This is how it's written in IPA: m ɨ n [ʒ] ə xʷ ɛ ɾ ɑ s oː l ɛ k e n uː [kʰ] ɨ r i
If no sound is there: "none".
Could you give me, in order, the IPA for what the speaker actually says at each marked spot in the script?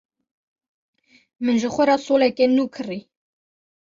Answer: ʒ, kʰ

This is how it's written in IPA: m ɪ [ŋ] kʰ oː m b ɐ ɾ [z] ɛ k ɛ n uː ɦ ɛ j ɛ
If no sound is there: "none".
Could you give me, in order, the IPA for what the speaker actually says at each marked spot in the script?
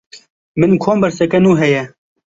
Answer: n, s

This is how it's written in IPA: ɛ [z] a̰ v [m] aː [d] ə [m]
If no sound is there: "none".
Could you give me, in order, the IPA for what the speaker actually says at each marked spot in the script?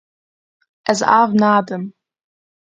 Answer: z, n, d, m

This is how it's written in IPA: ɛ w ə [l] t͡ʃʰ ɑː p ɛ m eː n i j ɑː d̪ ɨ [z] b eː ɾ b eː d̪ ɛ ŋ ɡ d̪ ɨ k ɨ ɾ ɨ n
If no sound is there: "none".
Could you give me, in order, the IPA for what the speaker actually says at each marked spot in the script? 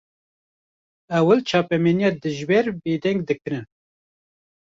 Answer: l, ʒ

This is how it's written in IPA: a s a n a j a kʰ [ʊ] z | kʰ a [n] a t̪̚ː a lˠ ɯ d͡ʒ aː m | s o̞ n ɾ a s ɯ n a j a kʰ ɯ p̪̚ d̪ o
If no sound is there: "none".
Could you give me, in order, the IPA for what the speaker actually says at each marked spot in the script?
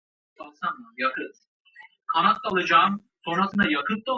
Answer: ɯ, n

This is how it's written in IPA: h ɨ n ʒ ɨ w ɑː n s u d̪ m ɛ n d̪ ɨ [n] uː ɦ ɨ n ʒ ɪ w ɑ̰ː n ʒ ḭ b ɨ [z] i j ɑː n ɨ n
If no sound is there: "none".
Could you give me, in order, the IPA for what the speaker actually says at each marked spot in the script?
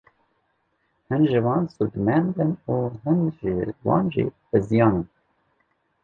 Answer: n, z

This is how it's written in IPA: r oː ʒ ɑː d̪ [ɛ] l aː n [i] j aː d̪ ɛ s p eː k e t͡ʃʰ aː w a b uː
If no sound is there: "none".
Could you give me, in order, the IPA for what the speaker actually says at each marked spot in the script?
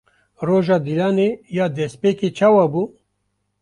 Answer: i, e

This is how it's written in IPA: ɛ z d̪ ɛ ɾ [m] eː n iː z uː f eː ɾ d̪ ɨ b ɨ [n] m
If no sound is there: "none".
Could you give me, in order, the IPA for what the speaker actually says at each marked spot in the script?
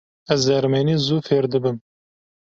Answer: m, none

